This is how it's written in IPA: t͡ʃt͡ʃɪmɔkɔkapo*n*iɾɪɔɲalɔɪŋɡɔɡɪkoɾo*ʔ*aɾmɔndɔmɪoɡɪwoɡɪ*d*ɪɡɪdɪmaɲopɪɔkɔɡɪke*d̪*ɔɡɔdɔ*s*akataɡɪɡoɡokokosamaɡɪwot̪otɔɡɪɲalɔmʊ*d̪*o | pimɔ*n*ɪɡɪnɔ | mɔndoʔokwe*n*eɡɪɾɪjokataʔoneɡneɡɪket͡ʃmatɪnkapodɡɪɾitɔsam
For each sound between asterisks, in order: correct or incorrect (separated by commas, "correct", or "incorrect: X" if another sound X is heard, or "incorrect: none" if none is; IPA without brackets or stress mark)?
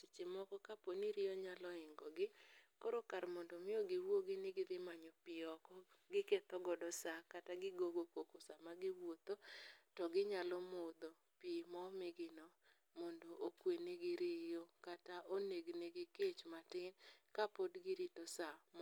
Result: correct, incorrect: k, incorrect: n, incorrect: t̪, correct, correct, incorrect: m, correct